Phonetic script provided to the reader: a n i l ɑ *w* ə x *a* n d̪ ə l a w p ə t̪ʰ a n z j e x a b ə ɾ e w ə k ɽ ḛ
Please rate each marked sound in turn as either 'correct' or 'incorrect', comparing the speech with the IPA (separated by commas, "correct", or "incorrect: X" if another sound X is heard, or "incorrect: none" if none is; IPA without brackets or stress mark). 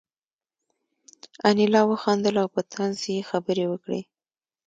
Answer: correct, incorrect: ɑ